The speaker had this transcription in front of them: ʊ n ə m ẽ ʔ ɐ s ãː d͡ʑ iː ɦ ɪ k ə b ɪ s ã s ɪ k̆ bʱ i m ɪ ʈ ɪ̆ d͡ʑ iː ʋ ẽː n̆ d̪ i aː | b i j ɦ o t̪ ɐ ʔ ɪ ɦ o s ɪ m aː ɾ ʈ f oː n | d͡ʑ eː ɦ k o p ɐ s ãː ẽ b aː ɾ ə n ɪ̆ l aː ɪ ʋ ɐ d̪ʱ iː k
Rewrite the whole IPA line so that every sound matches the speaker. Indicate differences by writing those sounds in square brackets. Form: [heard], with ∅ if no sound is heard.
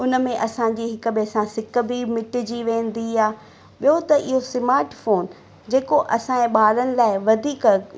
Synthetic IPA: ʊ n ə m ẽ ʔ ɐ s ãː d͡ʑ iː ɦ ɪ k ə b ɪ s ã s ɪ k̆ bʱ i m ɪ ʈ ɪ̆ d͡ʑ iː ʋ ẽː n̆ d̪ i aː | [ɓ] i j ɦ o t̪ ɐ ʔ ɪ ɦ o s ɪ m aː ɾ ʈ f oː n | d͡ʑ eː [∅] k o [ʔ] ɐ s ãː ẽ [ɓ] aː ɾ ə n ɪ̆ l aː ɪ ʋ ɐ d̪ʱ iː k